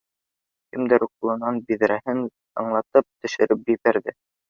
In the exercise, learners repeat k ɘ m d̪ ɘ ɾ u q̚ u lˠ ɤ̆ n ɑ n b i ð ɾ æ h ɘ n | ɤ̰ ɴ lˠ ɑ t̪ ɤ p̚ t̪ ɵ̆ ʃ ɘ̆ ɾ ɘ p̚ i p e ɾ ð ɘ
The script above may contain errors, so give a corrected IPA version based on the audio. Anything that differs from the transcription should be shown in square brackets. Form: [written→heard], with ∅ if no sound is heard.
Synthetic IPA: k ɘ m d̪ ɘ ɾ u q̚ u lˠ ɤ̆ n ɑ n b i ð ɾ æ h ɘ n | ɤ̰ ɴ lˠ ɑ t̪ ɤ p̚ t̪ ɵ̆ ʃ ɘ̆ ɾ ɘ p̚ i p [e→æ] ɾ ð ɘ